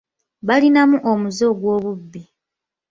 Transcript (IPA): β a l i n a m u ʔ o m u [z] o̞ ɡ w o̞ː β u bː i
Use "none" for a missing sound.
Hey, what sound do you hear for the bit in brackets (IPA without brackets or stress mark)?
z